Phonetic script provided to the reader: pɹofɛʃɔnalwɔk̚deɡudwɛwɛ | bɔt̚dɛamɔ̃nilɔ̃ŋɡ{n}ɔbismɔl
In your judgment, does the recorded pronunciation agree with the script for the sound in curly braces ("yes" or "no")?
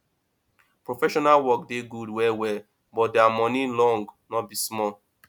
yes